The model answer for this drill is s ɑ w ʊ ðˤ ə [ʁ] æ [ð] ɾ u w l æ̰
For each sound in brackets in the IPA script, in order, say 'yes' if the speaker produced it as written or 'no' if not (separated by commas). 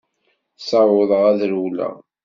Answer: yes, yes